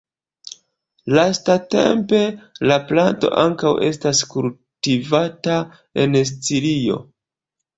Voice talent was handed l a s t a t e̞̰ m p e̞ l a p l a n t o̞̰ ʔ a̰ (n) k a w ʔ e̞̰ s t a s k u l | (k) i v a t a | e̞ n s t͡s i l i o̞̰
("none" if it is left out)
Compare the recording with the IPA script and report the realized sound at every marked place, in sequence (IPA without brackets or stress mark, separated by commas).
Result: ŋ, t